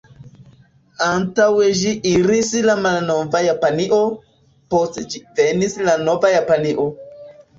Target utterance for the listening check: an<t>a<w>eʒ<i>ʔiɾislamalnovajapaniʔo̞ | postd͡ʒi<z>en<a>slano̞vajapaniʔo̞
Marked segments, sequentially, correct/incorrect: correct, correct, correct, incorrect, incorrect

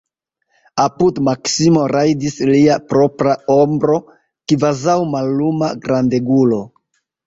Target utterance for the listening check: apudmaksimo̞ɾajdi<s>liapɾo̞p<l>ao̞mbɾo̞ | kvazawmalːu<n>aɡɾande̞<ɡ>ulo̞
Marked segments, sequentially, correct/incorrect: correct, incorrect, incorrect, correct

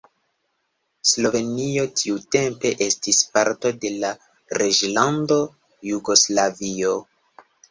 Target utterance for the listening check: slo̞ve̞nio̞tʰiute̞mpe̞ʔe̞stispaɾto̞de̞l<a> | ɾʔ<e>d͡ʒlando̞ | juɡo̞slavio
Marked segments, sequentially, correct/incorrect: correct, correct

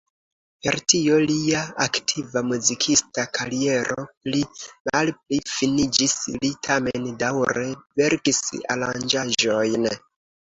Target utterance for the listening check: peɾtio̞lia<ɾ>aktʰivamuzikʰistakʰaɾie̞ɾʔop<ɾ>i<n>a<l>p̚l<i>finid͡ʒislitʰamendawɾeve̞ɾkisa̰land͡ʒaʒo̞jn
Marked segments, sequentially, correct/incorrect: incorrect, incorrect, incorrect, correct, correct

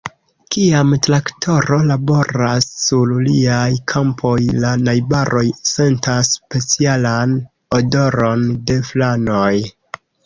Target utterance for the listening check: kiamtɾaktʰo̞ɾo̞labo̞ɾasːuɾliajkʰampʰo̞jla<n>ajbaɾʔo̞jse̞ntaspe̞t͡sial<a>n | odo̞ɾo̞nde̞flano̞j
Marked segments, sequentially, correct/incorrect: correct, correct

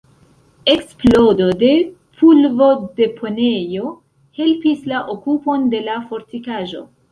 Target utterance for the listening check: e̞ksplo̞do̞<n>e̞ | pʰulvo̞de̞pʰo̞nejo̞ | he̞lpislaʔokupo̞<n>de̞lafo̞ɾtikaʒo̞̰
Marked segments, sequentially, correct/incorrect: incorrect, correct

